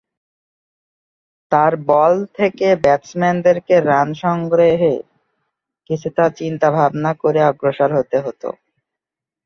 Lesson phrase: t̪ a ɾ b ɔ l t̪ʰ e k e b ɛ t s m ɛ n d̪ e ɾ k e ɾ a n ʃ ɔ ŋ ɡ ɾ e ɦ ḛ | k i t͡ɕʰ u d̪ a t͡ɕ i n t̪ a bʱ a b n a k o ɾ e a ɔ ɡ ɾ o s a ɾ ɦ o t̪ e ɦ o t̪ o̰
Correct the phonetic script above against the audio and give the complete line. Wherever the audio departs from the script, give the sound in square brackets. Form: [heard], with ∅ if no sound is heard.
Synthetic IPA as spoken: t̪ a ɾ b ɔ l t̪ʰ e k e b ɛ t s m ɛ n d̪ e ɾ k e ɾ a n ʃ ɔ ŋ ɡ ɾ e ɦ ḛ | k i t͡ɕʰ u [t̪] a t͡ɕ i n t̪ a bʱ a b n a k o ɾ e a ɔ ɡ ɾ o [ʃ] a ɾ ɦ o t̪ e ɦ o t̪ o̰